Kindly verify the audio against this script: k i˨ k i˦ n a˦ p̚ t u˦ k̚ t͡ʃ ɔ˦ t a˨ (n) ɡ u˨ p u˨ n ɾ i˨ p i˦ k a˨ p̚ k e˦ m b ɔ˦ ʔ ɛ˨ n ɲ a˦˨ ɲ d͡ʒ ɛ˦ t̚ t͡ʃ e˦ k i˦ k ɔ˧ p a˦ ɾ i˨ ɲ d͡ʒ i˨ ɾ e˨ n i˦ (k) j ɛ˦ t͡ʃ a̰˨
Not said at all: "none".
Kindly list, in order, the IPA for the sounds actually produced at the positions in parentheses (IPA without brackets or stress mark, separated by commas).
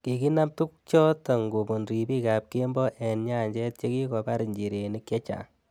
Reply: ŋ, k